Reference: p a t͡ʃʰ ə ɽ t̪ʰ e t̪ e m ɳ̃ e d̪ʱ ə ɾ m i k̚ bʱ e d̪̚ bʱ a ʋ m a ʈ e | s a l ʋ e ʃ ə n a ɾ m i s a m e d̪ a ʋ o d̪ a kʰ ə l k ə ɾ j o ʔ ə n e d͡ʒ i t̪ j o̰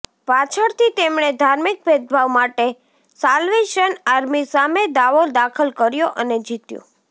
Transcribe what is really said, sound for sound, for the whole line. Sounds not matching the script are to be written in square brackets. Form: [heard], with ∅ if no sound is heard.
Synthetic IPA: p a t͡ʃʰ ə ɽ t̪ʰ [i] t̪ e m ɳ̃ e d̪ʱ [a] ɾ m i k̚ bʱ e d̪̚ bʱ a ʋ m a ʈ e | s a l ʋ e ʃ ə n a ɾ m i s a m e d̪ a ʋ o d̪ a kʰ ə l k ə ɾ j o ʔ ə n e d͡ʒ i t̪ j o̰